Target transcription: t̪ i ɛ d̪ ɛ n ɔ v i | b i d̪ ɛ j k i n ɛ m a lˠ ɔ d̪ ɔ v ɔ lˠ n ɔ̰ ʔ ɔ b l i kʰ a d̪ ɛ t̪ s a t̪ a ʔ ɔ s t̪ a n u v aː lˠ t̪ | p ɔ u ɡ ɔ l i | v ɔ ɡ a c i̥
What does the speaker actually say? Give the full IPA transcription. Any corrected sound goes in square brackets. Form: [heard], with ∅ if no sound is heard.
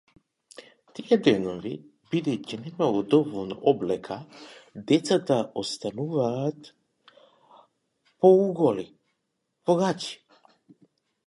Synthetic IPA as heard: t̪ i ɛ d̪ ɛ n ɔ v i | b i d̪ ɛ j [c] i n ɛ m a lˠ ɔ d̪ ɔ v ɔ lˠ n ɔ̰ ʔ ɔ b l [ɛ] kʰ a d̪ ɛ t̪ s a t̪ a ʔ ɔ s t̪ a n u v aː [∅] t̪ | p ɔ u ɡ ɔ l i | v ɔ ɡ a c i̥